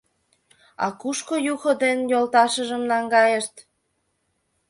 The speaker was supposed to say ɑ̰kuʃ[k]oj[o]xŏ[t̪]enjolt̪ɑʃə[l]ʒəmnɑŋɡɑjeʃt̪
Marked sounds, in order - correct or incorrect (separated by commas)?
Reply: correct, incorrect, incorrect, incorrect